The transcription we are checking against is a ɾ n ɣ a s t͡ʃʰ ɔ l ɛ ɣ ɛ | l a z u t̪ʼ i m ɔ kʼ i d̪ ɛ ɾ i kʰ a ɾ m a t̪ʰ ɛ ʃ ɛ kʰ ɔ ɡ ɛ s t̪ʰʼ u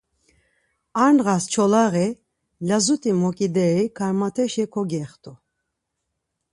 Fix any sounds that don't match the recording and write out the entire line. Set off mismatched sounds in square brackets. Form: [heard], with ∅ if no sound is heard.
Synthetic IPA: a ɾ n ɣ a s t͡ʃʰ ɔ l [a] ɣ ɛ | l a z u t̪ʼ i m ɔ kʼ i d̪ ɛ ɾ i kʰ a ɾ m a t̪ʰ ɛ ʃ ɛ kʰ ɔ ɡ ɛ [χ] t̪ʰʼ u